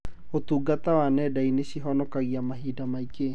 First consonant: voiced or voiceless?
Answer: voiceless